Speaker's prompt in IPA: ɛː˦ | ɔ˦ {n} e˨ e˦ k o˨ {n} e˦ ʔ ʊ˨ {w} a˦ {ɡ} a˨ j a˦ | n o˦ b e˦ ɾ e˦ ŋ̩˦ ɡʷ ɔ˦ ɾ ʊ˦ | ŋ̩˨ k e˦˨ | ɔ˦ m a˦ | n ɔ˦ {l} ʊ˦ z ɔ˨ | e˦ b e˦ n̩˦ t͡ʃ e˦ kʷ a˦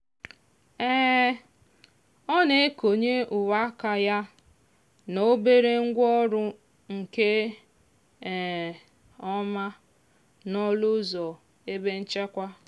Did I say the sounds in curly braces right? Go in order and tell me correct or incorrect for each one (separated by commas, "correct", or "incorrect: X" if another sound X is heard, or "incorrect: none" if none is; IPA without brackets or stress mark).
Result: correct, incorrect: ɲ, correct, incorrect: k, correct